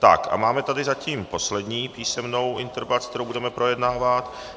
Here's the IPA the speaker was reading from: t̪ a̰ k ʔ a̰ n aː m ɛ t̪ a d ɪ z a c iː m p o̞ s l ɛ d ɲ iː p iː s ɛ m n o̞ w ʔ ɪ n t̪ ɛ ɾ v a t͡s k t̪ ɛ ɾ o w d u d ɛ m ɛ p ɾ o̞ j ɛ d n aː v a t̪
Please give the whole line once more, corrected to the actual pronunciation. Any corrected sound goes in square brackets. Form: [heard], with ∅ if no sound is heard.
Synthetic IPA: t̪ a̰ k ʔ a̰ [m] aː m ɛ t̪ a d ɪ z a c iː m p o̞ s l ɛ d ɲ iː p iː s ɛ m n o̞ w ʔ ɪ n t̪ ɛ ɾ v a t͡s k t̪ ɛ ɾ o w [b] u d ɛ m ɛ p ɾ o̞ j ɛ d n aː v a t̪